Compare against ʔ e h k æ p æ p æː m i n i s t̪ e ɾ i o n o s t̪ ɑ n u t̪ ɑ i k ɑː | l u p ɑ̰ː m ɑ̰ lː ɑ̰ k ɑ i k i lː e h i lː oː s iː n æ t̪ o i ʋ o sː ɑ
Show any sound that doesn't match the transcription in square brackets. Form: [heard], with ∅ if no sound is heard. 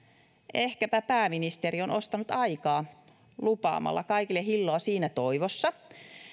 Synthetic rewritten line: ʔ e h k æ p æ p æː m i n i s t̪ e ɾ i o n o s t̪ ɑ n u t̪ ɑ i k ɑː | l u p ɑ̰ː m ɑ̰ lː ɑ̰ k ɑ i k i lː e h i lː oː s iː n æ t̪ o i ʋ o sː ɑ

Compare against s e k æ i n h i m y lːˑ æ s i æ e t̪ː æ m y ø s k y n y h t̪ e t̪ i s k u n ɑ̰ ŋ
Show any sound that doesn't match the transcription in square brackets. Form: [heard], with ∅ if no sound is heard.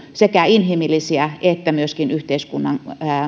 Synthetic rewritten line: s e k æ i n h i m [i] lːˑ [i] s i æ e t̪ː æ m y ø s k [i] n y h t̪ e [∅] i s k u [nː] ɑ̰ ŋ

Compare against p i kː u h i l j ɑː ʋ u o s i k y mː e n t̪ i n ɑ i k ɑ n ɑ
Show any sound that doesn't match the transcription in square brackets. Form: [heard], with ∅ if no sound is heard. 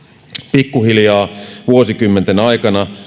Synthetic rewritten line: p i kː u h i l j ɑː ʋ u o s i k y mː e n t̪ [e] n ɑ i k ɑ n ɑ

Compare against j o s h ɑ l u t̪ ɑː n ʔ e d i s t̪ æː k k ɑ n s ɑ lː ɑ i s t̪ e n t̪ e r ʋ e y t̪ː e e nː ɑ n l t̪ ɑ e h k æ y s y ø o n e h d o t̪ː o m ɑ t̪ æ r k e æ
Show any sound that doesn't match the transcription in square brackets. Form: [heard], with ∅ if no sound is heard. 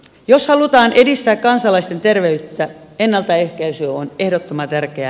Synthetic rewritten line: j o s h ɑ l u t̪ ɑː n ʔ e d i s t̪ æː k k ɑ n s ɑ [l] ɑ i s t̪ e n t̪ e r ʋ e y t̪ː [æ] e nː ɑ [∅] l t̪ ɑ e h k æ y s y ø o n e h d o t̪ː o m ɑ t̪ æ r k e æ

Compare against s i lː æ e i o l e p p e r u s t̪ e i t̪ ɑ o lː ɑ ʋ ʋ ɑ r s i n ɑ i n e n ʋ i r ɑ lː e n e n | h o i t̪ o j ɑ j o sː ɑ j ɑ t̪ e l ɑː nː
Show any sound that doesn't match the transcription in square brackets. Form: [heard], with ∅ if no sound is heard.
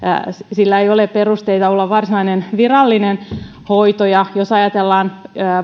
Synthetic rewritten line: s i lː æ e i o l e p p e r u s t̪ e i t̪ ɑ o lː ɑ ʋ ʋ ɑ r s i n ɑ i n e n ʋ i r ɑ lː [i] n e n | h o i t̪ o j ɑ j o [s] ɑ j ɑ t̪ e [lː] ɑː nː

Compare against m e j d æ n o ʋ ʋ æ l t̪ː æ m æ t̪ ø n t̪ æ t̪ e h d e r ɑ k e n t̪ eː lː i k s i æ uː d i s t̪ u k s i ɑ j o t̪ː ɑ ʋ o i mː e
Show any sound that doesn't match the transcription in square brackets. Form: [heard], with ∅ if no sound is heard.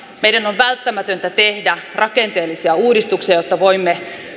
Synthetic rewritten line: m e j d æ n o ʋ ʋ æ l t̪ː æ m æ t̪ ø n t̪ æ t̪ e h d [æ] r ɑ k e n t̪ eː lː i [∅] s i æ uː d i s t̪ u k s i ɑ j o t̪ː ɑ ʋ o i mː e

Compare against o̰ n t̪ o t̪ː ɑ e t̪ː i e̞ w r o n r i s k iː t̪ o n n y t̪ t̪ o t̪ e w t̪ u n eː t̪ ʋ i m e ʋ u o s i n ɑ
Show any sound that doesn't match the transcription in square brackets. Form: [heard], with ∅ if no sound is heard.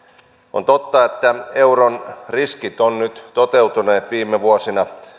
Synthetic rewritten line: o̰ n t̪ o t̪ː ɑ e t̪ː [æ] e̞ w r o n r i s k [i] t̪ o n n y t̪ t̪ o t̪ e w t̪ u n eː t̪ ʋ [iː] m e ʋ u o s i n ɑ

